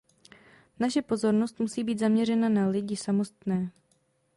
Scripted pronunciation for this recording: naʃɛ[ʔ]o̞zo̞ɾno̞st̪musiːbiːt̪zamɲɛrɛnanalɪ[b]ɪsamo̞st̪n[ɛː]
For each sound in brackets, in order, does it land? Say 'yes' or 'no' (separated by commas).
no, no, yes